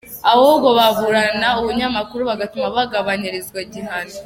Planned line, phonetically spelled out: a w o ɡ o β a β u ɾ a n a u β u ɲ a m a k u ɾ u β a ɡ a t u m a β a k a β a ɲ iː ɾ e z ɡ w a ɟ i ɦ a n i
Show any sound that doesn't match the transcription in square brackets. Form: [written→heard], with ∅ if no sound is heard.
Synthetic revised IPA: a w o ɡ o β a β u ɾ a n a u β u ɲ a m a k u ɾ u β a ɡ a t u m a β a [k→ɡ] a β a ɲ [iː→i] ɾ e z ɡ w a ɟ i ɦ a n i